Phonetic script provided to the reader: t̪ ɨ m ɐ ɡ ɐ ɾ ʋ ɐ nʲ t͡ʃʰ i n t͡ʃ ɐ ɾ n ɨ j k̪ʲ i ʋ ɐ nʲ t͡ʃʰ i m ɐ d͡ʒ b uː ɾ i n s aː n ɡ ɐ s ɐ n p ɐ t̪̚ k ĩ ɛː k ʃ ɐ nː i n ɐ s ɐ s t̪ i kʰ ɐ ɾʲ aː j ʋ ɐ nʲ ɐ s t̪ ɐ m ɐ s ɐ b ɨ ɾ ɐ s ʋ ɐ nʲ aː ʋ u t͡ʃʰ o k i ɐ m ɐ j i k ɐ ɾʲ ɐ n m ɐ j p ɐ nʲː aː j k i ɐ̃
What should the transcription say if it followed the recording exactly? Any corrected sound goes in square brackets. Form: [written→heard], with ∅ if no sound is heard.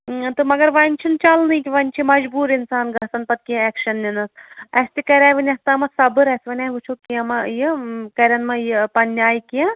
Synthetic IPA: t̪ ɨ m ɐ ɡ ɐ ɾ ʋ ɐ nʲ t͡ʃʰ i n t͡ʃ ɐ [ɾ→l] n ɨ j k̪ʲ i ʋ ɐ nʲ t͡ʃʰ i m ɐ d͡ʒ b uː ɾ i n s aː n ɡ ɐ s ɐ n p ɐ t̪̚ k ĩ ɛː k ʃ ɐ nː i n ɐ s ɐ s t̪ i [kʰ→k] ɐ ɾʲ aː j ʋ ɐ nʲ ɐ s t̪ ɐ m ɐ s ɐ b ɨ ɾ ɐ s ʋ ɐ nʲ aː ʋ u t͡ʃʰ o k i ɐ m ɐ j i k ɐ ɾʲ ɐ n m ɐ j p ɐ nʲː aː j k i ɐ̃